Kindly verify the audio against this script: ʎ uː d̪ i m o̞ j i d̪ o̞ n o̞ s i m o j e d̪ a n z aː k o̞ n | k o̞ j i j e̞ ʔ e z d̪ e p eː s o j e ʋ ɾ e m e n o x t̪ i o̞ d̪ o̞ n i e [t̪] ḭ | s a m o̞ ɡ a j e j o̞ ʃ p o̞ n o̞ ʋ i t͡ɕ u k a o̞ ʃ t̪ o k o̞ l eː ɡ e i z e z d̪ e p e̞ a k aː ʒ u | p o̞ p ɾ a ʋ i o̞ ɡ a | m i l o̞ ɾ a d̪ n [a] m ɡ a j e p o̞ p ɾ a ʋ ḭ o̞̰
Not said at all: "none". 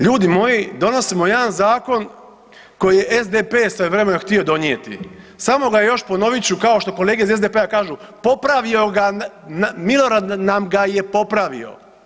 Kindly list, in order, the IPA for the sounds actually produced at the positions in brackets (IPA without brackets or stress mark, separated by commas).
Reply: t̪, a